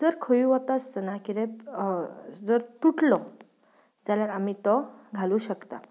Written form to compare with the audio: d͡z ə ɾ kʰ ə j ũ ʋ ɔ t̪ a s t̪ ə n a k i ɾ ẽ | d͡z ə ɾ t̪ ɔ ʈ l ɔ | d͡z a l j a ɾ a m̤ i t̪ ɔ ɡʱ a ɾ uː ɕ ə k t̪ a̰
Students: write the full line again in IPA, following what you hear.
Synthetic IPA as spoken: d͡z ə ɾ kʰ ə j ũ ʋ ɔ t̪ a s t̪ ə n a k i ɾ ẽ | d͡z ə ɾ t̪ u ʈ l ɔ | d͡z a l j a ɾ a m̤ i t̪ ɔ ɡʱ a l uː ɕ ə k t̪ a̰

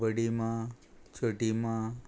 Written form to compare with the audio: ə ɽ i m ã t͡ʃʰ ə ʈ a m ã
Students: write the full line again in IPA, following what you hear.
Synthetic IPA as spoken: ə ɽ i m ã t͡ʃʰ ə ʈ i m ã

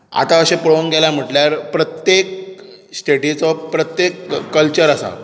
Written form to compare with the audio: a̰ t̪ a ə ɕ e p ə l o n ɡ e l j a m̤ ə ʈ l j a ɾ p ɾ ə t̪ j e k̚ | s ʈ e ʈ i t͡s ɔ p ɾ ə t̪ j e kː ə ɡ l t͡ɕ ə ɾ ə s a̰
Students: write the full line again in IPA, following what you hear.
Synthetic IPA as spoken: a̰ t̪ a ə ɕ e p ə ɭ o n ɡ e l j a m̤ ə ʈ l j a ɾ p ɾ ə t̪ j e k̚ | s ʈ e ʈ i t͡s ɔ p ɾ ə t̪ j e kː ə l t͡ɕ ə ɾ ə s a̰

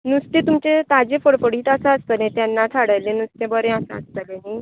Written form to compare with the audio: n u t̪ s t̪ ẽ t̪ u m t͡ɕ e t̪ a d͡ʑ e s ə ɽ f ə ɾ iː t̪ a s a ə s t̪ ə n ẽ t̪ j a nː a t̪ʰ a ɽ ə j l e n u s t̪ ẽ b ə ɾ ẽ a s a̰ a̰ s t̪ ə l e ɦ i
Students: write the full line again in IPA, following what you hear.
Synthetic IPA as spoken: n u s t̪ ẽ t̪ u m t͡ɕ e t̪ a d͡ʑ e f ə ɽ f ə ɽ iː t̪ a s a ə s t̪ ə n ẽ t̪ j a nː a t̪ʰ a ɽ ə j l e n u s t̪ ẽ b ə ɾ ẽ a s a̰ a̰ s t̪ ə l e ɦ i

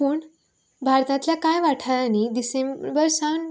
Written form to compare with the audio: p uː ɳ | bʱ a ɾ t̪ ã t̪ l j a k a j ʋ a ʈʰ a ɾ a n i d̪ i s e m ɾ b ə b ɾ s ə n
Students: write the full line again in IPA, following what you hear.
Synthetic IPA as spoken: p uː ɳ | bʱ a ɾ t̪ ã t̪ l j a k a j ʋ a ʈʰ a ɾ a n i d̪ i s e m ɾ b ə ɾ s a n

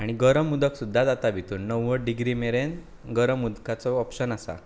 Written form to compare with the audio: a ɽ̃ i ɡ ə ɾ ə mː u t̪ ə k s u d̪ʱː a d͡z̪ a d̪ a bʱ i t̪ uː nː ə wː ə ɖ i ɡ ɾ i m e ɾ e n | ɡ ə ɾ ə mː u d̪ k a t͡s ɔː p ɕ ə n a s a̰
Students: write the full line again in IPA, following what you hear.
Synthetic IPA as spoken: a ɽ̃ i ɡ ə ɾ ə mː u d̪ ə k s u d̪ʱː a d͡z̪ a t̪ a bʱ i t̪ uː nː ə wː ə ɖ i ɡ ɾ i m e ɾ e n | ɡ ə ɾ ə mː u d̪ k a t͡s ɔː p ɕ ə n a s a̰

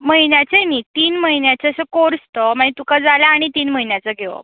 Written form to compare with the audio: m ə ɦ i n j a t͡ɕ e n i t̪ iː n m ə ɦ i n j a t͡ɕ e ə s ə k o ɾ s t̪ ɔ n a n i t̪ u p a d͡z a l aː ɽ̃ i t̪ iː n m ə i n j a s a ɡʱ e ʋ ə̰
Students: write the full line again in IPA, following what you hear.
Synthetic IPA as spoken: m ə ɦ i n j a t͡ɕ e n i t̪ iː n m ə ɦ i n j a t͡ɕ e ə s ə k o ɾ s t̪ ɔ m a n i t̪ u k a d͡z a l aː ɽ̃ i t̪ iː n m ə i n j a t͡s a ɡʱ e ʋ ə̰

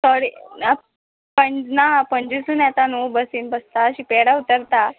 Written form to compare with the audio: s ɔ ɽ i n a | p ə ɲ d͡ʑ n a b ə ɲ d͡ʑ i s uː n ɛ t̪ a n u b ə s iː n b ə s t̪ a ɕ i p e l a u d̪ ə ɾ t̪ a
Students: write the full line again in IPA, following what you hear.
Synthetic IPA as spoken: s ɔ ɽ i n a | p ə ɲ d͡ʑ n a p ə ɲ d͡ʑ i s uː n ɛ t̪ a n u b ə s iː n b ə s t̪ a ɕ i p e ɽ a u t̪ ə ɾ t̪ a

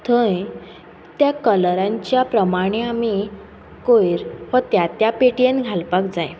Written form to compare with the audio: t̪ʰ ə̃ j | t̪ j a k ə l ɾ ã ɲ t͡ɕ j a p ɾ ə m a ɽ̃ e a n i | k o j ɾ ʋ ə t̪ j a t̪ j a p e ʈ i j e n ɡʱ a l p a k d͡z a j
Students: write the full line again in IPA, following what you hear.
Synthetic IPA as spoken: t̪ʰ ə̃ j | t̪ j a k ə l ɾ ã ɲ t͡ɕ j a p ɾ ə m a ɽ̃ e a m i | k o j ɾ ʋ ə t̪ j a t̪ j a p e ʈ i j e n ɡʱ a l p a k d͡z a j

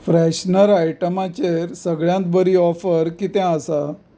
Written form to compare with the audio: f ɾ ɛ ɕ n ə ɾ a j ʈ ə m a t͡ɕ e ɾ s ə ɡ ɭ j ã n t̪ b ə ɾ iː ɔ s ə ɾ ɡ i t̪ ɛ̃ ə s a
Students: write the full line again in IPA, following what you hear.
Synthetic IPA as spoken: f ɾ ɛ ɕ n ə ɾ a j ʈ ə m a t͡ɕ e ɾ s ə ɡ ɭ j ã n t̪ b ə ɾ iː ɔ f ə ɾ k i t̪ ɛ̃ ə s a

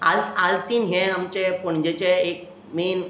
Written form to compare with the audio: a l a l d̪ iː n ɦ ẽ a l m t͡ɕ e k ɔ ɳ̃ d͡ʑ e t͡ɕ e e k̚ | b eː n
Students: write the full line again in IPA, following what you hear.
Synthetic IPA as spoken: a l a l t̪ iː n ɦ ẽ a m t͡ɕ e p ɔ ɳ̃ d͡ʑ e t͡ɕ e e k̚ | m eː n

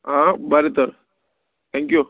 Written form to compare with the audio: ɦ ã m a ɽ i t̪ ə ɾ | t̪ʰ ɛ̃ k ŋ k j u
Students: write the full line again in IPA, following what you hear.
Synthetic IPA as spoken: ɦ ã b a ɾ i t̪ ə ɾ | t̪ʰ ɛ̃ ŋ k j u

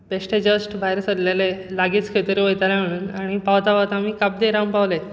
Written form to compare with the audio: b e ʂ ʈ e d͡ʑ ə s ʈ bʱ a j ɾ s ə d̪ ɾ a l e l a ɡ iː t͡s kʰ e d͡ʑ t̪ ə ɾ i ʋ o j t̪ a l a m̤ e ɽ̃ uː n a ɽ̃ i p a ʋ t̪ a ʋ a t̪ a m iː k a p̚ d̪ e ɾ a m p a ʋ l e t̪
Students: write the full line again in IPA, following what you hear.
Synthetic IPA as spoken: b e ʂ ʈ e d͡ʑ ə s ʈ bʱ a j ɾ s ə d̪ l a l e l a ɡ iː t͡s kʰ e t̪ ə ɾ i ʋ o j t̪ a l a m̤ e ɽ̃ uː n a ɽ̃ i p a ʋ t̪ a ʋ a t̪ a m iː k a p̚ d̪ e ɾ a m p a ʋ l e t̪

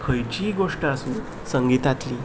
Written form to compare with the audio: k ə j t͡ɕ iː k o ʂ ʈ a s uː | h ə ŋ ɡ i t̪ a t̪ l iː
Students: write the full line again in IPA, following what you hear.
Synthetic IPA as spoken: kʰ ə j t͡ɕ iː ɡ o ʂ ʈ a s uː | s ə ŋ ɡ i t̪ a t̪ l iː

